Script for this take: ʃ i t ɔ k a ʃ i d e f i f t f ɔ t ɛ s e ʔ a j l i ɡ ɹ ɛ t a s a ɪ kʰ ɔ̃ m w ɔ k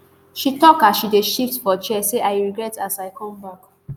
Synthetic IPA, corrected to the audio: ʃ i t ɔ k a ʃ i d e ʃ i f t f ɔ t͡ʃ ɛ s e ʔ a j ɹ i ɡ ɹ ɛ t a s a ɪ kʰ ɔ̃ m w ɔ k